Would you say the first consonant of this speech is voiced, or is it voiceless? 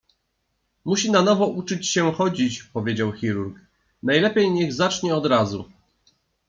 voiced